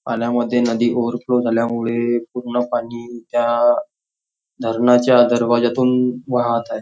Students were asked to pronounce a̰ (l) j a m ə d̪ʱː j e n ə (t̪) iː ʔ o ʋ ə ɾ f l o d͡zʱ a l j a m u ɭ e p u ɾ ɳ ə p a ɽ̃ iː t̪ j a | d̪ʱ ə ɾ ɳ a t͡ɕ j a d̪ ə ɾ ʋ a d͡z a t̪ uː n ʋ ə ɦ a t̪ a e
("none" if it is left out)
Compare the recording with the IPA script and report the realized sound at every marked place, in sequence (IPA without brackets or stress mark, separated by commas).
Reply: l, d̪